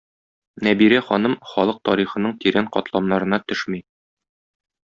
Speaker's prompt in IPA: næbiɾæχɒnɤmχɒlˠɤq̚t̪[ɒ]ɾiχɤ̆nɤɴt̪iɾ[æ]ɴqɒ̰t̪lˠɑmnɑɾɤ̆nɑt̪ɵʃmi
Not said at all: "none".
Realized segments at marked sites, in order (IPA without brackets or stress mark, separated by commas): ɒ, æ